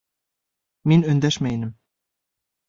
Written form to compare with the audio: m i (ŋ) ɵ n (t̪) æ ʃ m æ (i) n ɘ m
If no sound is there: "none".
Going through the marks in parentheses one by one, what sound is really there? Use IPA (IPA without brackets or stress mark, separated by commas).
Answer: n, d̪, j